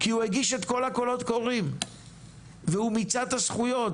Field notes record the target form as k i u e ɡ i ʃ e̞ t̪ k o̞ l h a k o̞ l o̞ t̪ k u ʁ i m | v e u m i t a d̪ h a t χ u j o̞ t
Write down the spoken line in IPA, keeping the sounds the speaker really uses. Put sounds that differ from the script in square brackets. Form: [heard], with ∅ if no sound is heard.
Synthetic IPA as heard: k i u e ɡ i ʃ e̞ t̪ k o̞ l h a k o̞ l o̞ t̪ k [o] ʁ i m | v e u m i [t͡s] a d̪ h a [s] χ u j o̞ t